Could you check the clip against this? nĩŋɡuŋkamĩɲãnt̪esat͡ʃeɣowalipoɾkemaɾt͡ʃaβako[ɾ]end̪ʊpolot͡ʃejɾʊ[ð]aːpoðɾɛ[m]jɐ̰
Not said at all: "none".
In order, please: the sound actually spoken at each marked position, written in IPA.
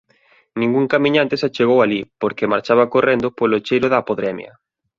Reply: r, ð, m

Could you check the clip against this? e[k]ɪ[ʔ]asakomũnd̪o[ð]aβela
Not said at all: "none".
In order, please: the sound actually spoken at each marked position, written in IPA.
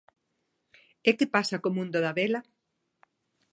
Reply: k, p, ð

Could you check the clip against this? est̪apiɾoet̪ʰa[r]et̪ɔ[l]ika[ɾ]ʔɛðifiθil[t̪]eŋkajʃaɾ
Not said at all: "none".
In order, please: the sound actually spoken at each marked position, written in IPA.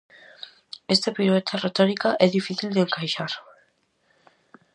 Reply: r, ɾ, none, d̪

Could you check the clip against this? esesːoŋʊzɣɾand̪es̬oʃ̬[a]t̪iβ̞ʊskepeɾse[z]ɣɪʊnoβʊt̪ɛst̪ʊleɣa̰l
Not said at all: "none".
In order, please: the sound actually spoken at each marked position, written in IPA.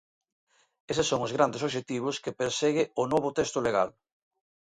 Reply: e, none

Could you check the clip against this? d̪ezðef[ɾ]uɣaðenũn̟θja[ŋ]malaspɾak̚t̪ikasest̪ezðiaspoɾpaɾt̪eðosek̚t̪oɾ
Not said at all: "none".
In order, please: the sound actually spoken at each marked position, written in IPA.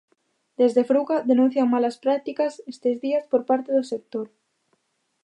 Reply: ɾ, ŋ

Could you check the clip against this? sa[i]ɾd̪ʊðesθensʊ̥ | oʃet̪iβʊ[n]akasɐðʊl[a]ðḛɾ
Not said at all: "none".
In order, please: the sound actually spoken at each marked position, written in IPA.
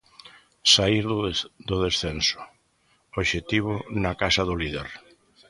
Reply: i, n, i

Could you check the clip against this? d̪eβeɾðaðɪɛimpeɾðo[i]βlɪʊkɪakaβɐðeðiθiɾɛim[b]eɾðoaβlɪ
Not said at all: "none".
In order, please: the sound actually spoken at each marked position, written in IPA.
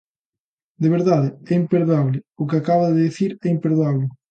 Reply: a, p

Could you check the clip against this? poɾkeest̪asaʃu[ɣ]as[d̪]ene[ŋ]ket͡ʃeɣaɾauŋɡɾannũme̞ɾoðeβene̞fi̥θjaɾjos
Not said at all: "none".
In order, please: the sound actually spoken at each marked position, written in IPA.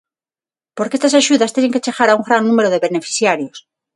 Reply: ð, t̪, ŋ

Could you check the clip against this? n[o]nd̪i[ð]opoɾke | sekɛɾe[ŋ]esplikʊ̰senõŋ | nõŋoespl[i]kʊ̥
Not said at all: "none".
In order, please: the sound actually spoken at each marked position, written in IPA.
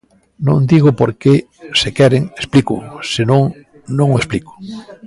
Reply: õ, ɣ, ŋ, i

